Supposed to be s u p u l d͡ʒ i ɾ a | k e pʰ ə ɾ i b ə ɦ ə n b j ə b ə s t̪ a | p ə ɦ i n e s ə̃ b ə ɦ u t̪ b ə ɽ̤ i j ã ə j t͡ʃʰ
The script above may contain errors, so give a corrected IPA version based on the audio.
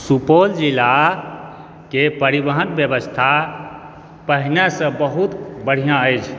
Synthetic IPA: s u p o l d͡ʒ i l a | k e p ə ɾ i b ə ɦ ə n b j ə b ə s t̪ʰ a | p ə ɦ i n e s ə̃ b ə ɦ u t̪ b ə ɽ̤ i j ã ə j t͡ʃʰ